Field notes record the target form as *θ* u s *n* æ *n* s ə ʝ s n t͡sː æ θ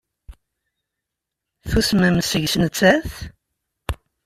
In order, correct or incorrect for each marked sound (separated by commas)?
correct, incorrect, incorrect